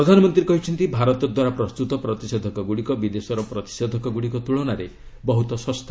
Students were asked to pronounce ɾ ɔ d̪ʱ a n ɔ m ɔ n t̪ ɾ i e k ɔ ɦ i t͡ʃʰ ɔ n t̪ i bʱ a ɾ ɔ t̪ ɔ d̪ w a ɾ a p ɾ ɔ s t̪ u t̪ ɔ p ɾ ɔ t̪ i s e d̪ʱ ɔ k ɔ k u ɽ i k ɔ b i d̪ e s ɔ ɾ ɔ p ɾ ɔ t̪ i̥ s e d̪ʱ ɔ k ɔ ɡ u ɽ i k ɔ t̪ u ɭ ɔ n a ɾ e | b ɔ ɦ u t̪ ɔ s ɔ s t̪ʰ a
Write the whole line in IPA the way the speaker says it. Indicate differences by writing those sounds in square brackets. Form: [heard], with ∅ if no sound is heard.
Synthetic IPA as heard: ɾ ɔ d̪ʱ a n ɔ m ɔ n t̪ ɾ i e k ɔ ɦ i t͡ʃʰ ɔ n t̪ i bʱ a ɾ ɔ t̪ ɔ d̪ w a ɾ a p ɾ ɔ s t̪ u t̪ ɔ p ɾ ɔ t̪ i s e d̪ʱ ɔ k ɔ [ɡ] u ɽ i k ɔ b i d̪ e s ɔ ɾ ɔ p ɾ ɔ t̪ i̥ s e d̪ʱ ɔ k ɔ ɡ u ɽ i k ɔ t̪ u ɭ ɔ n a ɾ e | b ɔ ɦ u t̪ ɔ s ɔ s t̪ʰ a